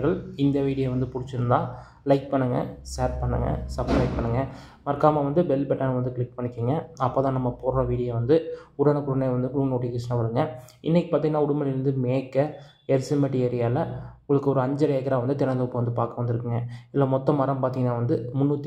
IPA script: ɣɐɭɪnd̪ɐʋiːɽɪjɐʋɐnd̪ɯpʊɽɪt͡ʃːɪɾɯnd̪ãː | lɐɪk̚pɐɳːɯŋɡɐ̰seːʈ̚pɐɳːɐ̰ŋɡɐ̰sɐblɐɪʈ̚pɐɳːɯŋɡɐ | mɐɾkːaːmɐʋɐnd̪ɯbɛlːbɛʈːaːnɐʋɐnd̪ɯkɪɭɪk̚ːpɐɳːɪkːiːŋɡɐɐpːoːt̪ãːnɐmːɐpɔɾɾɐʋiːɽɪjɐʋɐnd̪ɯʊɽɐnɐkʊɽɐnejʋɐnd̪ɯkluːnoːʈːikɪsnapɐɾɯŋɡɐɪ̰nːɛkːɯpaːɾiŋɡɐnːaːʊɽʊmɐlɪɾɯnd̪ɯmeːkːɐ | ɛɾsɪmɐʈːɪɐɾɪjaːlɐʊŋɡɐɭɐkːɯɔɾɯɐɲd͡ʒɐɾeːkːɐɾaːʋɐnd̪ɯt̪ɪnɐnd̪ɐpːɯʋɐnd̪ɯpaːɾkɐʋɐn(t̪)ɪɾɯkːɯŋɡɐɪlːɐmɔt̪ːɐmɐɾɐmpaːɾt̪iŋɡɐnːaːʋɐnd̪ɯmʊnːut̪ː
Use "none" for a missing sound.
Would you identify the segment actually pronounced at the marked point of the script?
d̪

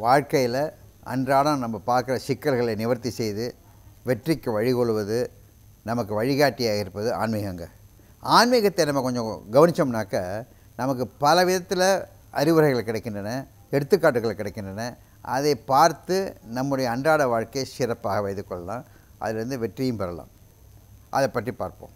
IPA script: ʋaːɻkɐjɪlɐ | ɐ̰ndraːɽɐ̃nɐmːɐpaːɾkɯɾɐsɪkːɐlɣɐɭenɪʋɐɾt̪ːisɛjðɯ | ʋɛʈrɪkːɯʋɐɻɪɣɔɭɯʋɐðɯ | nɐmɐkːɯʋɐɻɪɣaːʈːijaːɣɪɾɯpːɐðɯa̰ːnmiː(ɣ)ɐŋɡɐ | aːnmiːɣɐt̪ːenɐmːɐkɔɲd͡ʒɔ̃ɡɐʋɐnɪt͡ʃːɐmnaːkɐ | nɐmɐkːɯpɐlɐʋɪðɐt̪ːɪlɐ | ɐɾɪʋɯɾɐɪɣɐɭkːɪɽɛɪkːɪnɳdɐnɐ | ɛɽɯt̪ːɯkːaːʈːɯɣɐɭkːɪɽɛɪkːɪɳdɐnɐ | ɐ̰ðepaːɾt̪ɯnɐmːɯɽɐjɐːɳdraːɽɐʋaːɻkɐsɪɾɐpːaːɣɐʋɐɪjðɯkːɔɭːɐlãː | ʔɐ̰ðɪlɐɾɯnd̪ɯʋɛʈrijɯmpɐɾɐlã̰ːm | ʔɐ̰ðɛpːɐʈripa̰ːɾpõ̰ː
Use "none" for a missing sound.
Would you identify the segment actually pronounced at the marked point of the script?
ɣ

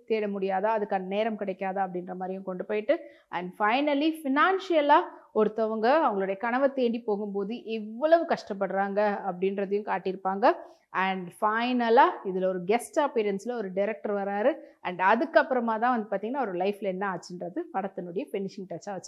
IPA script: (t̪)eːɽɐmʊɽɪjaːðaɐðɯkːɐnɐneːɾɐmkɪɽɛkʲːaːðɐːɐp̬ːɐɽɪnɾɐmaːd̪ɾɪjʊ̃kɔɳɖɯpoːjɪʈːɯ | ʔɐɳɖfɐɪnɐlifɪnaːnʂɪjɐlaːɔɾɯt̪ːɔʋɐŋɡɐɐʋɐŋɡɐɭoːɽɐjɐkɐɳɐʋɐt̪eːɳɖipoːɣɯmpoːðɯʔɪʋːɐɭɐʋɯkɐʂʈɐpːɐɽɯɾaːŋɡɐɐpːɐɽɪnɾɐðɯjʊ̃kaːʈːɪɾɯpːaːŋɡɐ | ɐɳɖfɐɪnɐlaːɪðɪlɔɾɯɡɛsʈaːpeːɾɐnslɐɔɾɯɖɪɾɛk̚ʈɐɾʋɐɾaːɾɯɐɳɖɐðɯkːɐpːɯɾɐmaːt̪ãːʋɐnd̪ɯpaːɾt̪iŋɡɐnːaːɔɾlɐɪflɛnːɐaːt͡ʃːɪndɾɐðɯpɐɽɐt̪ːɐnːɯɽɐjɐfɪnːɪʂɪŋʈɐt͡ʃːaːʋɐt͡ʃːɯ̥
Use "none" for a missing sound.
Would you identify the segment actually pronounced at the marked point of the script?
t̪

